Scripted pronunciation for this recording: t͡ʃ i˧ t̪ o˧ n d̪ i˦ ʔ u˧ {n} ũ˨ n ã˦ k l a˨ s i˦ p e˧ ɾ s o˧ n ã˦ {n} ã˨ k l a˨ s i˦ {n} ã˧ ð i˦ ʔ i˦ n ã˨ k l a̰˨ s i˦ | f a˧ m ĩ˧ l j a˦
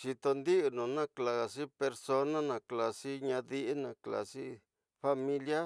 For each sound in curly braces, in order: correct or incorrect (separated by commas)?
correct, correct, incorrect